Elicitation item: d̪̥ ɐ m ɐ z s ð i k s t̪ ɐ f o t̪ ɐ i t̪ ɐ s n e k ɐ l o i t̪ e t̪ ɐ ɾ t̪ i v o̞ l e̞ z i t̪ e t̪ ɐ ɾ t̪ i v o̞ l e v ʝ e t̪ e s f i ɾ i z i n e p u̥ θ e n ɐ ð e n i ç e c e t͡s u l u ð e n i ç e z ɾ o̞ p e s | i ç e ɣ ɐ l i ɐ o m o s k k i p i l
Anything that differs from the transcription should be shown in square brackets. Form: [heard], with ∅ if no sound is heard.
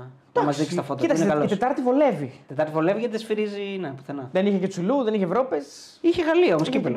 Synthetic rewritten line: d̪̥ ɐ m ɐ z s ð i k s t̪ ɐ f o t̪ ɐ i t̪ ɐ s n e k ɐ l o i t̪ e t̪ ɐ ɾ t̪ i v o̞ l e̞ [v] i t̪ e t̪ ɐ ɾ t̪ i v o̞ l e v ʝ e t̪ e s f i ɾ i z i n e p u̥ θ e n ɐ ð e n i ç e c e t͡s u l u ð e n i ç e [v] ɾ o̞ p e s | i ç e ɣ ɐ l i ɐ o m o s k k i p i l